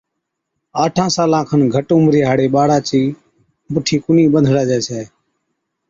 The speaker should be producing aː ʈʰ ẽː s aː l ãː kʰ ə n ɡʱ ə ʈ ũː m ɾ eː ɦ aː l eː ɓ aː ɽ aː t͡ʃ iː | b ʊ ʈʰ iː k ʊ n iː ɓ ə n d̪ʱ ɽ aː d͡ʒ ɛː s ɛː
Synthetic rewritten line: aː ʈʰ ãː s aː l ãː kʰ ə n ɡʱ ə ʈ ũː m ɾ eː ɦ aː ɽ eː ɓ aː ɽ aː t͡ʃ iː | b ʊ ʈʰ iː k ʊ n iː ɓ ə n d̪ʱ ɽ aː d͡ʒ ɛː s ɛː